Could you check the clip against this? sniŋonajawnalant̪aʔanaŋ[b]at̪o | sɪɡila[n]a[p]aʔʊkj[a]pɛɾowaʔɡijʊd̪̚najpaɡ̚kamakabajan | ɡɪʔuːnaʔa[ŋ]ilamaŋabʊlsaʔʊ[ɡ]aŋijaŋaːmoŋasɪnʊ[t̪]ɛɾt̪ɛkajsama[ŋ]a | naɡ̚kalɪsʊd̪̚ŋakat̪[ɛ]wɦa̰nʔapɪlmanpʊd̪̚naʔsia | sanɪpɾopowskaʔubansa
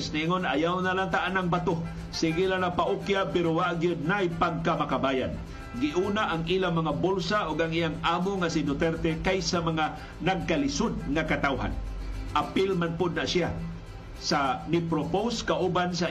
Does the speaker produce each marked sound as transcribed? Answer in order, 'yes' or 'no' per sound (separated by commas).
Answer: yes, yes, yes, yes, yes, yes, yes, yes, no